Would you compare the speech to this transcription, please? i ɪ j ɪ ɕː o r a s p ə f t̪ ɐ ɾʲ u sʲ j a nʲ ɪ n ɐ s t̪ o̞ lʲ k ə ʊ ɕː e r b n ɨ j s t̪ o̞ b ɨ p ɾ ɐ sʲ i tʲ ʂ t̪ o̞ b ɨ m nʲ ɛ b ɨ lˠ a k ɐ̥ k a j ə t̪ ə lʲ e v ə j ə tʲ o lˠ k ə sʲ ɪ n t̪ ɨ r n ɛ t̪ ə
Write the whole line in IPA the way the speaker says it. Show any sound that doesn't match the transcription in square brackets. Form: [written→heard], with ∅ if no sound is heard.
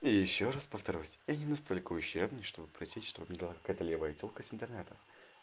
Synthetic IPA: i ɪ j ɪ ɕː o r a s p ə f t̪ ɐ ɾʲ u sʲ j a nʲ ɪ n ɐ s t̪ o̞ lʲ k ə ʊ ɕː e r b n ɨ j [s→ʂ] t̪ o̞ b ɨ p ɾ ɐ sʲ i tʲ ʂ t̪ o̞ b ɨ m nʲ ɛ b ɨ lˠ a k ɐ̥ k a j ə t̪ ə lʲ e v ə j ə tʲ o lˠ k ə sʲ ɪ n t̪ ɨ r n ɛ t̪ ə